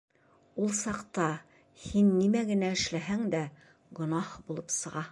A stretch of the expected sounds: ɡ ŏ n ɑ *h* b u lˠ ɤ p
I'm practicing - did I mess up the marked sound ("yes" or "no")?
no